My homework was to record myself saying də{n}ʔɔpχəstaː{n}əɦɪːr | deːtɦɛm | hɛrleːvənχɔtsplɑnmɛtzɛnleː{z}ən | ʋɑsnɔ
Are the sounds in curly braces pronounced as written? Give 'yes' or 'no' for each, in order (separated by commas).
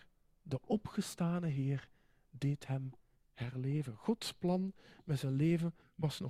no, yes, no